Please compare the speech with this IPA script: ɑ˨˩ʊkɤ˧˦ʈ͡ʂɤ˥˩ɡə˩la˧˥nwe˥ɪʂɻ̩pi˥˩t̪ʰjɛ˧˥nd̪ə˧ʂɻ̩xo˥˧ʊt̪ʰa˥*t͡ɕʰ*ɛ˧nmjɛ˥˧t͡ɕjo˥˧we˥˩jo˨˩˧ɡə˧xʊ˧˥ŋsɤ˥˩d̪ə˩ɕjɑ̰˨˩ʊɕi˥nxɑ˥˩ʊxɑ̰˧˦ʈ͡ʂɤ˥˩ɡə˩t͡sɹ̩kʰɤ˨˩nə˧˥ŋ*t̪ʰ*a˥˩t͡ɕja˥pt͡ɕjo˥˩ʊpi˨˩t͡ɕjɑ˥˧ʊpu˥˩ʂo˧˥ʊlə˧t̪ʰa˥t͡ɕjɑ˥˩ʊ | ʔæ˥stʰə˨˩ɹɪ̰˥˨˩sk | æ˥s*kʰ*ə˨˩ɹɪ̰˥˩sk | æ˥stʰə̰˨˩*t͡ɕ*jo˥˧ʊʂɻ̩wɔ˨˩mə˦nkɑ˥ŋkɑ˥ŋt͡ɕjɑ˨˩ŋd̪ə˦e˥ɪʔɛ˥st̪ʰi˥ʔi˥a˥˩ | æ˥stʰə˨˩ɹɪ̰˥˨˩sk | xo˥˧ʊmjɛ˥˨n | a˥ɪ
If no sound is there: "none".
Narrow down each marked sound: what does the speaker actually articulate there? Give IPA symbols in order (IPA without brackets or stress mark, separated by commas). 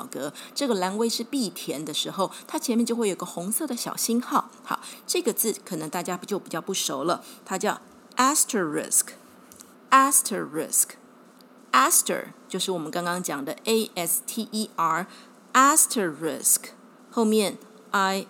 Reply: t͡ɕʰ, t̪, tʰ, t͡ɕ